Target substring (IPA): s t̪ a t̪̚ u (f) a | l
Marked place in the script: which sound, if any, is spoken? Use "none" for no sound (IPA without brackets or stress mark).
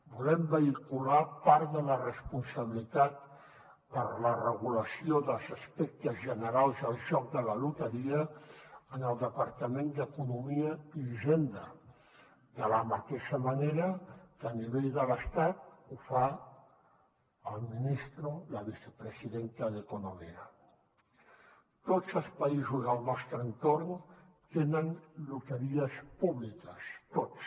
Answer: f